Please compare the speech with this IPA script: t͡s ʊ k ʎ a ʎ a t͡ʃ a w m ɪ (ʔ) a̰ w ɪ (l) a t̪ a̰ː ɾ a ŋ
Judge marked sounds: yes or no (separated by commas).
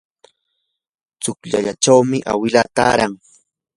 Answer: yes, yes